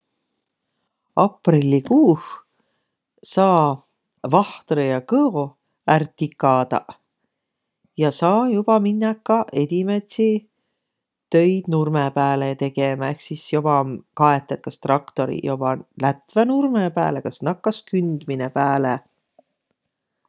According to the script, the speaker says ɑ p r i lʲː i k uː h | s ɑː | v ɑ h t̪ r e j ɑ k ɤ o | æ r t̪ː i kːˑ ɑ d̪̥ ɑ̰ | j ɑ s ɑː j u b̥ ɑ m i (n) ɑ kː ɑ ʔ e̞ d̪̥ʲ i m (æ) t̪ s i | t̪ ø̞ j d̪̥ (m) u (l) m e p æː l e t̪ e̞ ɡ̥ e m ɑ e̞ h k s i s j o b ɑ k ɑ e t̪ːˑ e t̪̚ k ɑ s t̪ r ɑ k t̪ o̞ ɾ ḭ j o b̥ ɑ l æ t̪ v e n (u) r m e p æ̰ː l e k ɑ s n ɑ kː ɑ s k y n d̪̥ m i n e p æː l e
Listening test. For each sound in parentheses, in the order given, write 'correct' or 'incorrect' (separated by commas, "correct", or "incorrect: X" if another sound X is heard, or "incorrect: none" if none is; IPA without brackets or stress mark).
incorrect: nː, incorrect: e, incorrect: n, incorrect: r, correct